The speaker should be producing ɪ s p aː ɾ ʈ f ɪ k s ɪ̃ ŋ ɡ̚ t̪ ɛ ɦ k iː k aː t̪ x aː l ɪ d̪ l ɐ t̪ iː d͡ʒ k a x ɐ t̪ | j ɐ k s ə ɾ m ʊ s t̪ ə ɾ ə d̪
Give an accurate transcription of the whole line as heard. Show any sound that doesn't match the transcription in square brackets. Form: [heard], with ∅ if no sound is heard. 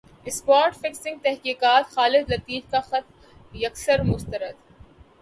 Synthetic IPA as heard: ɪ s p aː ɾ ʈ f ɪ k s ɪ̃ ŋ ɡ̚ t̪ ɛ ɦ k iː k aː t̪ x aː l ɪ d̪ l ɐ t̪ iː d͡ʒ k a x ɐ t̪ | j ɐ k s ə ɾ m ʊ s t̪ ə ɾ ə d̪